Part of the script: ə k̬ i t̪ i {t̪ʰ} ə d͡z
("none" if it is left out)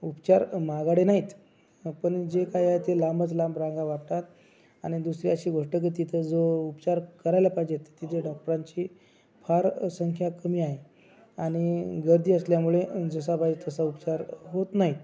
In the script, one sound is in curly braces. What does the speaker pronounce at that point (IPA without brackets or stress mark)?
t̪ʰ